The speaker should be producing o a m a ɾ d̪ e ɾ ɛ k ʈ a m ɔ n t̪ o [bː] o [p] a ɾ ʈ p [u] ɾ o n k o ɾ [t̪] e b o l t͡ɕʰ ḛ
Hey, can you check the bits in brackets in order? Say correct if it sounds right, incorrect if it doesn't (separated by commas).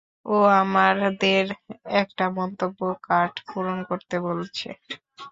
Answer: correct, incorrect, correct, correct